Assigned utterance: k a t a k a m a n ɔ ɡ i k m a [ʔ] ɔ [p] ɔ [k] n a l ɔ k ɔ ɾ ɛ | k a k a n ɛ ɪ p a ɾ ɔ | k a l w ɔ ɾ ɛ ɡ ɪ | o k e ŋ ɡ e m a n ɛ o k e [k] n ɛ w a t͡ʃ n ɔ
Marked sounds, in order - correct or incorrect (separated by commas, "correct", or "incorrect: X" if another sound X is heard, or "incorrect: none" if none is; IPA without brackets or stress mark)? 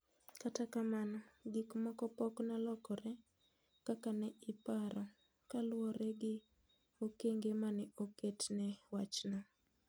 incorrect: k, correct, correct, incorrect: t